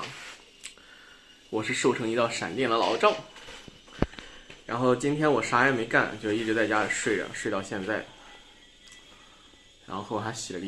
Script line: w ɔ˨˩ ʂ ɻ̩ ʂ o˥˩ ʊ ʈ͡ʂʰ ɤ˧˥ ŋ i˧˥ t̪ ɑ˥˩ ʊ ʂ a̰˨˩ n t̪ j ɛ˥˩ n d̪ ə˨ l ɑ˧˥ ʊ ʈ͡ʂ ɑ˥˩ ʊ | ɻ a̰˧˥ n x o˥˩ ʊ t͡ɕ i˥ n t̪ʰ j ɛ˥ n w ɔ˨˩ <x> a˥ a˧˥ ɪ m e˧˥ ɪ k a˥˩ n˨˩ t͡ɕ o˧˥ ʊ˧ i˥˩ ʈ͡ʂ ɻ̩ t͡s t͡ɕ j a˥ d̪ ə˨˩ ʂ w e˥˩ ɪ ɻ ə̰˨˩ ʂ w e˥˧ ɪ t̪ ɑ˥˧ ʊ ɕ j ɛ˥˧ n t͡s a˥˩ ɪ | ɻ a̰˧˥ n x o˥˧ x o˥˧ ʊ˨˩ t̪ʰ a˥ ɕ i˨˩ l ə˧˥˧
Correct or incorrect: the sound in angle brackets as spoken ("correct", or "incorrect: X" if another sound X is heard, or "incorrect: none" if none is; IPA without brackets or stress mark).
incorrect: ʂ